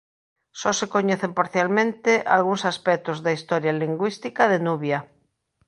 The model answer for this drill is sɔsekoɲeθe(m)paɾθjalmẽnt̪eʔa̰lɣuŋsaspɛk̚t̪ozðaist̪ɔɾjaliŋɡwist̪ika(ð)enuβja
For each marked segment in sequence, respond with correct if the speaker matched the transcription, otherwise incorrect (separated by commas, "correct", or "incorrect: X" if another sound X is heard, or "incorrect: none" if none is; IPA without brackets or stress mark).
correct, correct